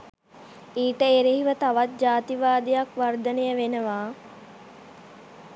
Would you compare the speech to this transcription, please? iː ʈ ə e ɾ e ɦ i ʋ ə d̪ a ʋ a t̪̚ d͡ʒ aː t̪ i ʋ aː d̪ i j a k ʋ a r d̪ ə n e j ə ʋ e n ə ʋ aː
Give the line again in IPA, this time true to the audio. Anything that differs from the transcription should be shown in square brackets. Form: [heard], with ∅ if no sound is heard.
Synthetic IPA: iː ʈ ə e ɾ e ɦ i ʋ ə [t̪] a ʋ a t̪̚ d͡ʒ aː t̪ i ʋ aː d̪ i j a k ʋ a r d̪ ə n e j ə ʋ e n ə ʋ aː